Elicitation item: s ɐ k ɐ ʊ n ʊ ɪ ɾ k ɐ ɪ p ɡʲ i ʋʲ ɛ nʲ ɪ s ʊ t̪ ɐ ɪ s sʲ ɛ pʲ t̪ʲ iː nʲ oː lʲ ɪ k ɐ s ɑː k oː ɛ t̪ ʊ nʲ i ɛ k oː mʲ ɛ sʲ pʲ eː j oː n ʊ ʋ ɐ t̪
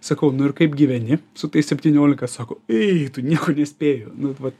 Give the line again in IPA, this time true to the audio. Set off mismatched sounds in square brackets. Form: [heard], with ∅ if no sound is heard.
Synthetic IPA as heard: s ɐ k ɐ ʊ n ʊ ɪ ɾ k ɐ ɪ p ɡʲ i ʋʲ ɛ nʲ ɪ s ʊ t̪ ɐ ɪ s sʲ ɛ pʲ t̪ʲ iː nʲ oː lʲ ɪ k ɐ s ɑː k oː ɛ t̪ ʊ nʲ i ɛ k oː [nʲ] ɛ sʲ pʲ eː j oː n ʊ ʋ ɐ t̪